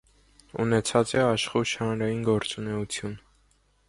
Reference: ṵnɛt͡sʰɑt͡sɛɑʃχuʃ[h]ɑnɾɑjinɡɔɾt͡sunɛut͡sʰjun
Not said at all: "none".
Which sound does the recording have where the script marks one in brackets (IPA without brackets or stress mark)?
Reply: h